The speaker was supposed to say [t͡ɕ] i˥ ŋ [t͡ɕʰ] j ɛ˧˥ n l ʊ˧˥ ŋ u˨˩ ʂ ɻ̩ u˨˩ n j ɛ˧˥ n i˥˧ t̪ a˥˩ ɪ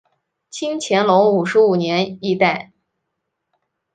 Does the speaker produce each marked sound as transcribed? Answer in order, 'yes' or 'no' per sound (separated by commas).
no, yes